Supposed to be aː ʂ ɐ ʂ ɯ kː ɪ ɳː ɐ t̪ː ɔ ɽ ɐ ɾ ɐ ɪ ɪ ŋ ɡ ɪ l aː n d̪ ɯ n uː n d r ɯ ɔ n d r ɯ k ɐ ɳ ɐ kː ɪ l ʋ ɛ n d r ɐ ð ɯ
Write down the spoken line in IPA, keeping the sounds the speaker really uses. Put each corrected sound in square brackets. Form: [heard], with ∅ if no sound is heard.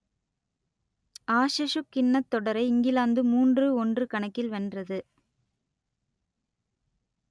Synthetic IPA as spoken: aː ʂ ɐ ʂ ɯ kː ɪ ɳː ɐ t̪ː ɔ ɽ ɐ ɾ ɐ ɪ ɪ ŋ ɡ ɪ l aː n d̪ ɯ [m] uː n d r ɯ ɔ n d r ɯ k ɐ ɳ ɐ kː ɪ l ʋ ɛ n d r ɐ ð ɯ